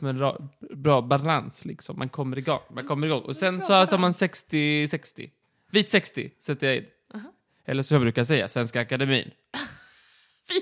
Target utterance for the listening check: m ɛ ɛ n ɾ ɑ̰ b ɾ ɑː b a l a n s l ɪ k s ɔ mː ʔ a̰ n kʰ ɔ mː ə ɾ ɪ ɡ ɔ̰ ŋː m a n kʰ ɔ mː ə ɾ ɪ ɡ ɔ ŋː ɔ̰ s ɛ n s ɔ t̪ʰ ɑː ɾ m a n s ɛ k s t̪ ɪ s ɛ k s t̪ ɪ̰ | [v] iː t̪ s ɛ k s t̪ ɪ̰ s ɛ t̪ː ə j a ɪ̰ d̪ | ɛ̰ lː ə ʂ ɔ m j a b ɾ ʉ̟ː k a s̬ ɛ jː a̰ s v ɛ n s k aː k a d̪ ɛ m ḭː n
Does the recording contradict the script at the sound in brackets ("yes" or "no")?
no